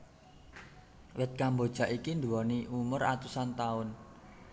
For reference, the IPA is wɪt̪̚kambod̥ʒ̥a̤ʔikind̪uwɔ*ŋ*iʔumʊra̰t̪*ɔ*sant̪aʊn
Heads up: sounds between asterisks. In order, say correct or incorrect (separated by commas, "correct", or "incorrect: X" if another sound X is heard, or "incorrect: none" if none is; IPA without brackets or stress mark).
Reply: incorrect: n, incorrect: u